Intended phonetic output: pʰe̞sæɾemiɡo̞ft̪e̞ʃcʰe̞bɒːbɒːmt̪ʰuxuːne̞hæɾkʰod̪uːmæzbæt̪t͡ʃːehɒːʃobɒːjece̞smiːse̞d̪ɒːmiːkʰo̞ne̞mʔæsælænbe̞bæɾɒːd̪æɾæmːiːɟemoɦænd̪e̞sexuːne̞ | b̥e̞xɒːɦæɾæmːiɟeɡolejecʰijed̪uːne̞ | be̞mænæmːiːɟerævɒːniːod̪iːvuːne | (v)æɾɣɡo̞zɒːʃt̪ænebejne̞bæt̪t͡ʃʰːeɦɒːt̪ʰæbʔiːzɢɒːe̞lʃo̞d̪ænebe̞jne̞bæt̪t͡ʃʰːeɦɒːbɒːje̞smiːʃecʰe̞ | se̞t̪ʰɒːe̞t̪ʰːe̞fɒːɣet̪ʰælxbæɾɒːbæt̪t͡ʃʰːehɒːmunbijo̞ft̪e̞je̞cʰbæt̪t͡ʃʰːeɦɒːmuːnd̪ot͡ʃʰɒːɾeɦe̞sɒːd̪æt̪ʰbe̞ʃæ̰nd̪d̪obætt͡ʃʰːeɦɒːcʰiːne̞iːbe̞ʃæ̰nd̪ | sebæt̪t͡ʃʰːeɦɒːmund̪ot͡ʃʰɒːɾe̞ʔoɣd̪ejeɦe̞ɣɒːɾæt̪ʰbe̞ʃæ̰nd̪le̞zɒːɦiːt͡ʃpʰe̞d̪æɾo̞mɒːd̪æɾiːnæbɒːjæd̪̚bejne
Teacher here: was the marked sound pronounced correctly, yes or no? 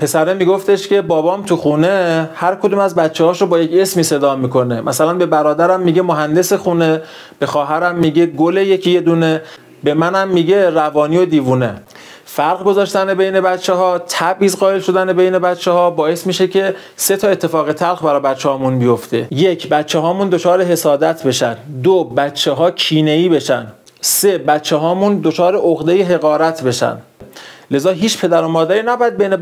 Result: no